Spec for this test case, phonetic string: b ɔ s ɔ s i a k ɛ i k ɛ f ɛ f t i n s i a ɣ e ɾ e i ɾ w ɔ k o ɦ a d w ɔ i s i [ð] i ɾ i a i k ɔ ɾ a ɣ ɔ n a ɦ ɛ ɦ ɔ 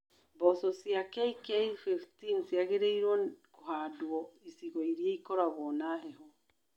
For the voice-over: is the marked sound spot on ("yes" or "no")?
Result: no